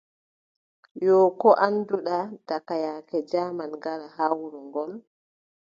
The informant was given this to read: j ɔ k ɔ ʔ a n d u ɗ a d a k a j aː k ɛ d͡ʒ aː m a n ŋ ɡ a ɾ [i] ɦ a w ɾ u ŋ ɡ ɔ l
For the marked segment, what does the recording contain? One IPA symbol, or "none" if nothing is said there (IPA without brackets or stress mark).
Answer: a